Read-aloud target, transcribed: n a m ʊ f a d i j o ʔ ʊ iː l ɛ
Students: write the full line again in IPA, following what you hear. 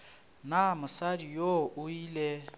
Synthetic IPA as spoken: n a m ʊ s a d i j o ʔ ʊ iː l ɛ